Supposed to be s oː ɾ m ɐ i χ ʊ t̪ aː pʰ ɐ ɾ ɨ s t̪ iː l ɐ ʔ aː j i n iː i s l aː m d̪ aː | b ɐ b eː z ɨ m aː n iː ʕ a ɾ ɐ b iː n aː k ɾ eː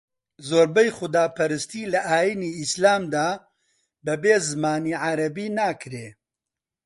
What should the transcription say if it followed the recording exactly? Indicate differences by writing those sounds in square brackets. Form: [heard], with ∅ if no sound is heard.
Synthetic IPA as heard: [z] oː ɾ [b] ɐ [j] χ ʊ [d̪] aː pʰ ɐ ɾ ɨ s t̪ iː l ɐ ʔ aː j i n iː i s l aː m d̪ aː | b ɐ b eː z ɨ m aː n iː ʕ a ɾ ɐ b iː n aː k ɾ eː